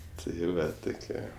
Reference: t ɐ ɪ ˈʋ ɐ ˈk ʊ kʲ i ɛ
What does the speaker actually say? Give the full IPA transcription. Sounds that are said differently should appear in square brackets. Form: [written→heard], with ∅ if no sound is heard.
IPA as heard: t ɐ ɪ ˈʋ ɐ [ˈk→ˈt] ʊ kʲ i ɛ